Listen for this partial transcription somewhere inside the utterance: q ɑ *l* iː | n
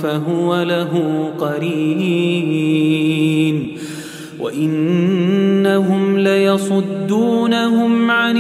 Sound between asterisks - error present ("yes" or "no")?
yes